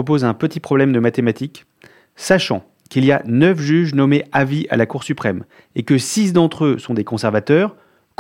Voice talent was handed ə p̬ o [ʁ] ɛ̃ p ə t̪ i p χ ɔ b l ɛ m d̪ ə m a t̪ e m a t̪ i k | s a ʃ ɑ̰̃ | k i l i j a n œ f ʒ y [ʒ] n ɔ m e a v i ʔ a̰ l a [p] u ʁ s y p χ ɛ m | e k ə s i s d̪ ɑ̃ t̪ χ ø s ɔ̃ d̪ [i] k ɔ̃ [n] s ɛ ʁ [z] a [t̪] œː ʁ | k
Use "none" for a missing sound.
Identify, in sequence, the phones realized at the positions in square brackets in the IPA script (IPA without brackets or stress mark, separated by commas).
z, ʒ, k, e, none, v, t̪